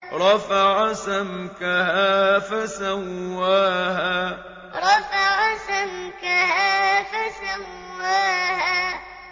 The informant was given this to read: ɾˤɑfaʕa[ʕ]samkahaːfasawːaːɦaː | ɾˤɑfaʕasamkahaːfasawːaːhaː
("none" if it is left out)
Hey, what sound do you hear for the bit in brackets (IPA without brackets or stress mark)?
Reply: none